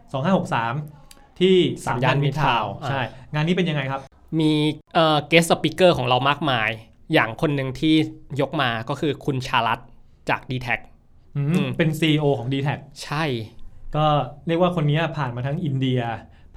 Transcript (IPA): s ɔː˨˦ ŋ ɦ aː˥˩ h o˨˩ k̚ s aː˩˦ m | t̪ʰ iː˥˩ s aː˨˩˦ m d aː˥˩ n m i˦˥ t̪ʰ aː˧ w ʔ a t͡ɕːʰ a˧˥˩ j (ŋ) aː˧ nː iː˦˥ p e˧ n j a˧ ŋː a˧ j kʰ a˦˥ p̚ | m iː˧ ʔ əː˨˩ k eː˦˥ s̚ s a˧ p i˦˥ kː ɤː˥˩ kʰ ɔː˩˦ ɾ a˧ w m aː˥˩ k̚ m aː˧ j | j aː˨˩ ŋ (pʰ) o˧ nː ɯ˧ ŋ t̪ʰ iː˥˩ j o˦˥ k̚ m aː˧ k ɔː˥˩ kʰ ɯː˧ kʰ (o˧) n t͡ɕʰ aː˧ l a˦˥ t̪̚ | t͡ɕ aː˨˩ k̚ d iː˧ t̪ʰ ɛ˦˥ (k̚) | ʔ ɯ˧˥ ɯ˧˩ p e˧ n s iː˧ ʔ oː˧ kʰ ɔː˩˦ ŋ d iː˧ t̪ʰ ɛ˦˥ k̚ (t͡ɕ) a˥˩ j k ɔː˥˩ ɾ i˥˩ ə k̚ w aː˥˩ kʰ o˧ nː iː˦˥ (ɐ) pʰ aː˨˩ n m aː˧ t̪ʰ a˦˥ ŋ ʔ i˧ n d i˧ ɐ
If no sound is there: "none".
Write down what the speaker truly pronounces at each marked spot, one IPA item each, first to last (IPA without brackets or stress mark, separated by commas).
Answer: ŋ, kʰ, u˧, k̚, t͡ɕʰ, ɐ